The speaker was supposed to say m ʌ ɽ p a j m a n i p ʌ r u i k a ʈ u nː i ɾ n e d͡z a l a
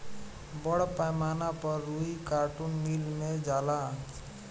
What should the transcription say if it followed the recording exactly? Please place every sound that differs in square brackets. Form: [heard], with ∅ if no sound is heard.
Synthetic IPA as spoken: [b] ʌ ɽ p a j m a n [a] p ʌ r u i k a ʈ u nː i [l] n e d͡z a l a